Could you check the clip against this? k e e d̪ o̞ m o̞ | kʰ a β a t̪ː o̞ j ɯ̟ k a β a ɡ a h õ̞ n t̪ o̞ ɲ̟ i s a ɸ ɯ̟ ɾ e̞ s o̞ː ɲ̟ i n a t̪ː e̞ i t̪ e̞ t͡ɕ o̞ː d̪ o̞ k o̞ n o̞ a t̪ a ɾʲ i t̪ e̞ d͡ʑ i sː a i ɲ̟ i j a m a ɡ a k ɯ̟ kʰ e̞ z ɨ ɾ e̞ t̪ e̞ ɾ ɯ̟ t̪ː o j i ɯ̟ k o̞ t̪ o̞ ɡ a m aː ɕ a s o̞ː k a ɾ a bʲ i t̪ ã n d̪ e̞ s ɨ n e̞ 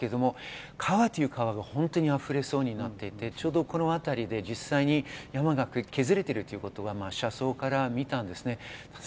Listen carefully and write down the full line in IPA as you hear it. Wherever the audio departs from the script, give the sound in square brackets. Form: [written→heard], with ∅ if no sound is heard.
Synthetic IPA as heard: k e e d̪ o̞ m o̞ | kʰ a β a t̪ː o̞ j ɯ̟ k a β a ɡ a h õ̞ n t̪ o̞ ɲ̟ i [s→∅] a ɸ ɯ̟ ɾ e̞ s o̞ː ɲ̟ i n a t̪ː e̞ i t̪ e̞ t͡ɕ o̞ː d̪ o̞ k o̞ n o̞ a t̪ a ɾʲ i [t̪→d̪] e̞ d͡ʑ i sː a i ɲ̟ i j a m a ɡ a k ɯ̟ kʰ e̞ z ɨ ɾ e̞ t̪ e̞ ɾ ɯ̟ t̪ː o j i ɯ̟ k o̞ t̪ o̞ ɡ a m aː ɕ a s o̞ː k a ɾ a [bʲ→mʲ] i t̪ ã n d̪ e̞ s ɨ n e̞